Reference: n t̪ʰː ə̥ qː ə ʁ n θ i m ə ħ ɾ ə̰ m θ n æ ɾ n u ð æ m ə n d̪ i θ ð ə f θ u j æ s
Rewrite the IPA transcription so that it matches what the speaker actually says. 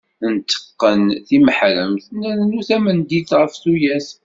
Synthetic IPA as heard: n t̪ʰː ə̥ qː ə n θ i m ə ħ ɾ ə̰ m θ n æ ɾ n u θ æ m ə n d̪ i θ ʁ ə f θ u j æ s